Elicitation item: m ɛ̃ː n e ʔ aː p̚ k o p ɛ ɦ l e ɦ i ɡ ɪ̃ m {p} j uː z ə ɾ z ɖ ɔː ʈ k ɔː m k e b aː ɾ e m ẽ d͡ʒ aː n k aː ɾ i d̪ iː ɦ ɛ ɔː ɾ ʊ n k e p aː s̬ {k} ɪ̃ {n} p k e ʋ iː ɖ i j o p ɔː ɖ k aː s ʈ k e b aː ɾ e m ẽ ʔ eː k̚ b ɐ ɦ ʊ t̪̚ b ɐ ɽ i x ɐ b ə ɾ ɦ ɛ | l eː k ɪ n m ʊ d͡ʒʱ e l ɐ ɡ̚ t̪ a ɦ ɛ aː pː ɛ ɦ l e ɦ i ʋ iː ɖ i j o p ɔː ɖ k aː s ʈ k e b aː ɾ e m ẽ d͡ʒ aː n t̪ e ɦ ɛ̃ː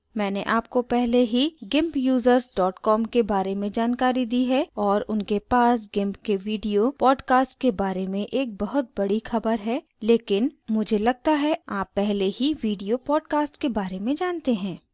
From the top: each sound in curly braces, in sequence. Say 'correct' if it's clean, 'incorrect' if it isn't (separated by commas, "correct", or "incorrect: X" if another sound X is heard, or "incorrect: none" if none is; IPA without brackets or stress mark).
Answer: correct, incorrect: ɡ, incorrect: m